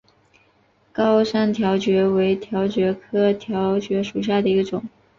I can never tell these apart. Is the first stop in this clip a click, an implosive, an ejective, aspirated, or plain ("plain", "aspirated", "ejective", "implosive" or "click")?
plain